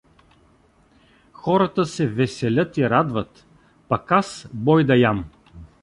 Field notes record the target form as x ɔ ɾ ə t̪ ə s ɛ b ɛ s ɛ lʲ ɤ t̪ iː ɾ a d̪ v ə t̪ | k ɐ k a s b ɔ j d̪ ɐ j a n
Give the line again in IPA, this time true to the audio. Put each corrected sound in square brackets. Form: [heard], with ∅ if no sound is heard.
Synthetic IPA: x ɔ ɾ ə t̪ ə s ɛ [v] ɛ s ɛ lʲ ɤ t̪ [i] ɾ a d̪ v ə t̪ | [p] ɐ k a s b ɔ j d̪ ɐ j a [m]